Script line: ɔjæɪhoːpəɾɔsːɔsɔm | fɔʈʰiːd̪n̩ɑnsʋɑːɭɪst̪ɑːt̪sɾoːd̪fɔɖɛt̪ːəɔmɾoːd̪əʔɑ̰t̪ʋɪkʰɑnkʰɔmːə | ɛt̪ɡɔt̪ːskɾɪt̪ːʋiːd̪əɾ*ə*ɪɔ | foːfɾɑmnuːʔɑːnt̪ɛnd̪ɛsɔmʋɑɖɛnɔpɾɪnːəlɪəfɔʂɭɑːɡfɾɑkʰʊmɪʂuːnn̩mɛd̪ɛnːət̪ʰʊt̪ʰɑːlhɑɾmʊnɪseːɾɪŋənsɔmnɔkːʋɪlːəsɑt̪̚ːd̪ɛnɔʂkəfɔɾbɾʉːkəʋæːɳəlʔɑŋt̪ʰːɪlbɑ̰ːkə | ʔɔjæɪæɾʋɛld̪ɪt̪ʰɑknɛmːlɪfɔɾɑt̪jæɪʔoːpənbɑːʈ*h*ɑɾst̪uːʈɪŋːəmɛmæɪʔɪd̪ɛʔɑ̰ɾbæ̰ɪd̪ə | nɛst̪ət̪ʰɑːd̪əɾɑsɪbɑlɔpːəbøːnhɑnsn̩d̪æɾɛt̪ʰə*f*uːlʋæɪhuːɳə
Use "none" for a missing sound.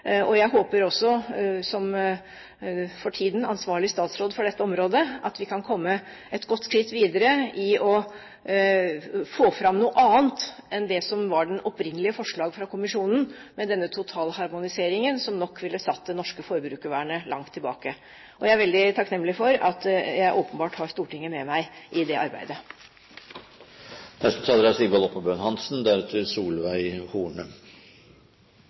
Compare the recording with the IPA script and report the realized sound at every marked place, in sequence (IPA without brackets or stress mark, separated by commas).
ə, h, s